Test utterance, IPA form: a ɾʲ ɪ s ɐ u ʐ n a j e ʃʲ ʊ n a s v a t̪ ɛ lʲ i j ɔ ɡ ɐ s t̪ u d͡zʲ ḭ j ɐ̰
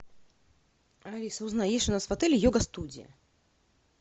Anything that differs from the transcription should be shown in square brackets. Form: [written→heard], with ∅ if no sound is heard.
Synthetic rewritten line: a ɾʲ [ɪ→i] s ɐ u [ʐ→z] n a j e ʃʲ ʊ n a s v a t̪ ɛ lʲ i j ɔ ɡ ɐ s t̪ u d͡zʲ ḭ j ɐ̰